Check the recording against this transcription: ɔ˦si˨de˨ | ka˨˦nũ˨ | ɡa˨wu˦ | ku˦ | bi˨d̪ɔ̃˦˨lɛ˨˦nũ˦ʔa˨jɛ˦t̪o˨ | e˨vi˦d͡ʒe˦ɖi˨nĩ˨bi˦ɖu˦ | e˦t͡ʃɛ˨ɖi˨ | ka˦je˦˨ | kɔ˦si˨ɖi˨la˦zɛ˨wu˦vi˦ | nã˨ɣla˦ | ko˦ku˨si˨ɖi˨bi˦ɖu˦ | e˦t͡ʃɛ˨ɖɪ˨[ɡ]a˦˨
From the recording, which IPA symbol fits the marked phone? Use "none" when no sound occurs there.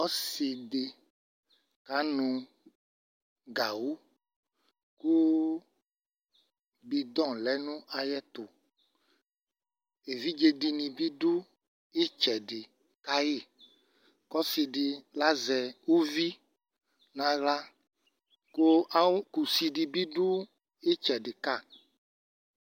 k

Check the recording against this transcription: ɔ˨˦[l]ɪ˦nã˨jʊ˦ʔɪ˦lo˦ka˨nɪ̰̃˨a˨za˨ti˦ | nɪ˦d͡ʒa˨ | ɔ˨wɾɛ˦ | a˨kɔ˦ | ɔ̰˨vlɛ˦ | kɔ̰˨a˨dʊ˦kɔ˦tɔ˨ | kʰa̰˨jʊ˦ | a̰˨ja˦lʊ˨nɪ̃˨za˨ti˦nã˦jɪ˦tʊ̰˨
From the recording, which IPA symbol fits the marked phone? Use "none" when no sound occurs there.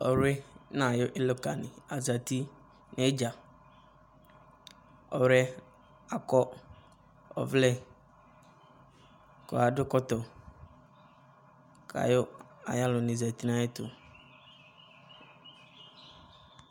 ɾ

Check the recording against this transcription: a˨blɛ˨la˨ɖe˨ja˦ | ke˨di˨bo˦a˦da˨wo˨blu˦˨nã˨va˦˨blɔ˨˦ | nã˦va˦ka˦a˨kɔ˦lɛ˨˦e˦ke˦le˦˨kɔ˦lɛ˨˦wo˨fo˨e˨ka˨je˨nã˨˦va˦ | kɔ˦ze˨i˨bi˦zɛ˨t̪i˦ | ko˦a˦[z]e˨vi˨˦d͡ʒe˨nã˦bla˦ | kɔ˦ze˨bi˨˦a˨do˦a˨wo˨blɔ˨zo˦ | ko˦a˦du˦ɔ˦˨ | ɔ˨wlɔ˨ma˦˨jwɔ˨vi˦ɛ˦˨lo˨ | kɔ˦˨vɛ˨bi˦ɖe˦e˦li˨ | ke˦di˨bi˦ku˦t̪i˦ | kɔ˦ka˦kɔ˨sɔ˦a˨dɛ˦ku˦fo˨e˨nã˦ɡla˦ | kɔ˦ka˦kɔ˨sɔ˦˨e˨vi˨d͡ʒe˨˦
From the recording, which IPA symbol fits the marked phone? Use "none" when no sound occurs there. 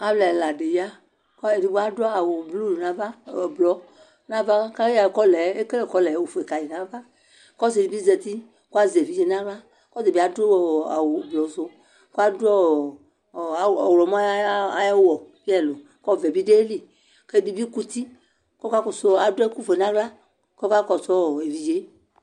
z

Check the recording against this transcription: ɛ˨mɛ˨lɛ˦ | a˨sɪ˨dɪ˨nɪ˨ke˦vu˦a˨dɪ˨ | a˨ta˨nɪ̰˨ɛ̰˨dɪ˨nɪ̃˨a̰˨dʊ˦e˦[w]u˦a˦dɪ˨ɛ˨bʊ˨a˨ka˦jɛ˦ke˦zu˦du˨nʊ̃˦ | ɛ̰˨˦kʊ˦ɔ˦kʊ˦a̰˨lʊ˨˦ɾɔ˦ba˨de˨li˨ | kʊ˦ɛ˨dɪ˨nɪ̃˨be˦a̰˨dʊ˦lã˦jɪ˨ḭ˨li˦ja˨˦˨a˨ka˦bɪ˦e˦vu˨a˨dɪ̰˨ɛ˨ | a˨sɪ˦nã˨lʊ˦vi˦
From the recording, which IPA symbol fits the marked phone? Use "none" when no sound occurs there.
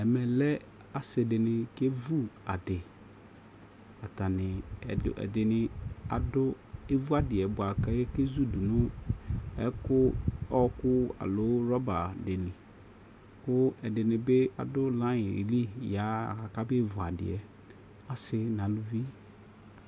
v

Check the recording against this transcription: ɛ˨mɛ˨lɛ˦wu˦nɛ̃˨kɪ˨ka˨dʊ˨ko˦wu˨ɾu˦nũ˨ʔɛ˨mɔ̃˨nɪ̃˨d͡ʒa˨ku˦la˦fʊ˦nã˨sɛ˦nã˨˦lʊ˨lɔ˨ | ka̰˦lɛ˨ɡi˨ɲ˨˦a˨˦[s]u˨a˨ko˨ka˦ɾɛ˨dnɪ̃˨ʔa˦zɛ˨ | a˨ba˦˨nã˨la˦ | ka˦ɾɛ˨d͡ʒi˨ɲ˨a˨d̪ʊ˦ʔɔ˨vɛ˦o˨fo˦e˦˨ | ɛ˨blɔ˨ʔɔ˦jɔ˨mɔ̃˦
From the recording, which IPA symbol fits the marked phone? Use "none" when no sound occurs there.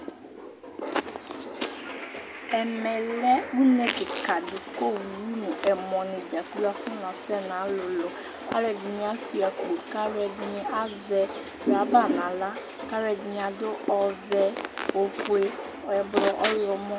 s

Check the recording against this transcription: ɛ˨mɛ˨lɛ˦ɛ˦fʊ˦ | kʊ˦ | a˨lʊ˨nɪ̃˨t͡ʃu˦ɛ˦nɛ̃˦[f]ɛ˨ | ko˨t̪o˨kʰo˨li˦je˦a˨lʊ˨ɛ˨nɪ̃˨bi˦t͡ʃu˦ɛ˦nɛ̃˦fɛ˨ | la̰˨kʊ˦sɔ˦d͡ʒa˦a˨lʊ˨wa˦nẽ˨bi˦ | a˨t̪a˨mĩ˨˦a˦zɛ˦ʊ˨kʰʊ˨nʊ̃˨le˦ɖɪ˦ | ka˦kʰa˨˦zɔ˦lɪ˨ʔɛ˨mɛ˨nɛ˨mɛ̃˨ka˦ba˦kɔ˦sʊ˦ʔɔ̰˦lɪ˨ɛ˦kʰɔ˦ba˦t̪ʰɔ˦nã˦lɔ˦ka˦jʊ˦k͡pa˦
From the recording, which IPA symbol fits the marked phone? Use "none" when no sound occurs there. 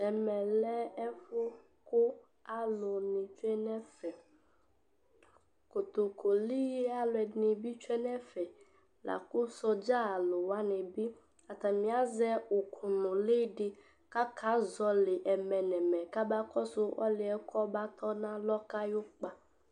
f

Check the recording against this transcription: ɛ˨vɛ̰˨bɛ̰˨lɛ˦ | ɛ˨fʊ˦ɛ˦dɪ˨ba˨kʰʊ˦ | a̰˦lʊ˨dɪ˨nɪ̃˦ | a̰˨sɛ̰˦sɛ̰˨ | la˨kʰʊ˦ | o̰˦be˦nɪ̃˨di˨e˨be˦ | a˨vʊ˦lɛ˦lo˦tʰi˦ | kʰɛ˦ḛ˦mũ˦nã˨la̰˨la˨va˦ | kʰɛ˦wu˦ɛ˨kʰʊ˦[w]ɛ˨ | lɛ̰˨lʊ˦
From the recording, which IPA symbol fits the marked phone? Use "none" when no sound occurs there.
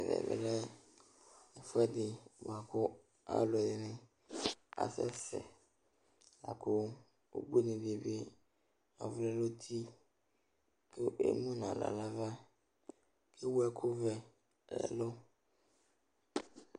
v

